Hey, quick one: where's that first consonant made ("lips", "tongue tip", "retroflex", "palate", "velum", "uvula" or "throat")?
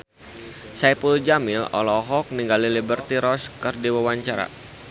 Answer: tongue tip